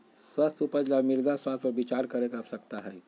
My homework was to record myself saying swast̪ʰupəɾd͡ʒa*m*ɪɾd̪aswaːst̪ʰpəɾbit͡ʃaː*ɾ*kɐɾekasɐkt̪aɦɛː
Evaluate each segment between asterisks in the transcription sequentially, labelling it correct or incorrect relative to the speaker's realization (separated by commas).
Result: correct, correct